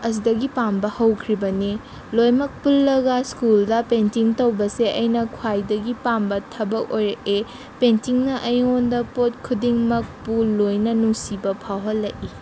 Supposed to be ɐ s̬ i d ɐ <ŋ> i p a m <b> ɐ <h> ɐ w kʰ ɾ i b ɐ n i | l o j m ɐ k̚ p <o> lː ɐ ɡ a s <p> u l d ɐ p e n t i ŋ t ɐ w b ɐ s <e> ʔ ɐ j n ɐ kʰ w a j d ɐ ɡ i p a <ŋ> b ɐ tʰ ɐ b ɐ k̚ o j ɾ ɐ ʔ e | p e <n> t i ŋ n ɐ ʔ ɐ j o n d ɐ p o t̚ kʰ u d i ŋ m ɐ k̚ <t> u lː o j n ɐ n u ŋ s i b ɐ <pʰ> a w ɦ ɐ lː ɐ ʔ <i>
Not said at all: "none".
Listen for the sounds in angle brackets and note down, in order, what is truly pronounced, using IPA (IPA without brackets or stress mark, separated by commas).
ɡ, b, h, u, k, e, m, n, p, pʰ, i